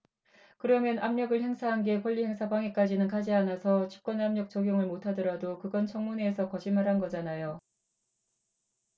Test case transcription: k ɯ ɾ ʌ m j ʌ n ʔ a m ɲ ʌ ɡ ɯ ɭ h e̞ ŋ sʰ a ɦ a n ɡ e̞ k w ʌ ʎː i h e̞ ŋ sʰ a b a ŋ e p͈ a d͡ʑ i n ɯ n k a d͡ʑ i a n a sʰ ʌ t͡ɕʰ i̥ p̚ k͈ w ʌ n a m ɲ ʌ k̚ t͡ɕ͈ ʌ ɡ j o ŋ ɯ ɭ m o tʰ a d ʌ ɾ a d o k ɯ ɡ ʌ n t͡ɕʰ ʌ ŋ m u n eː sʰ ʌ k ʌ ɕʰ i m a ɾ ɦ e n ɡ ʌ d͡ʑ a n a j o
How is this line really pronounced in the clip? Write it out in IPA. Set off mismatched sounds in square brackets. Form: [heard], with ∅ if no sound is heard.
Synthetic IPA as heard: k ɯ ɾ ʌ m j ʌ n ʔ a m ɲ ʌ ɡ ɯ ɭ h e̞ ŋ sʰ a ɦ a n ɡ e̞ k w ʌ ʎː i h e̞ ŋ sʰ a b a ŋ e [k͈] a d͡ʑ i n ɯ n k a d͡ʑ i a n a sʰ ʌ t͡ɕʰ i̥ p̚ k͈ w ʌ n a m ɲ ʌ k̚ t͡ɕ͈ ʌ ɡ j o ŋ ɯ ɭ m o tʰ a d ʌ ɾ a d o k ɯ ɡ ʌ n t͡ɕʰ ʌ ŋ m u n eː sʰ ʌ k ʌ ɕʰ i m a ɾ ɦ [a] n ɡ ʌ d͡ʑ a n a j o